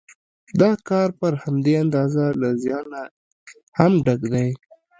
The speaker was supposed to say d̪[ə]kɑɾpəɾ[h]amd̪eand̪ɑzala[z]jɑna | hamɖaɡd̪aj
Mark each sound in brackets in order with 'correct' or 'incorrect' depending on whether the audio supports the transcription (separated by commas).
incorrect, correct, correct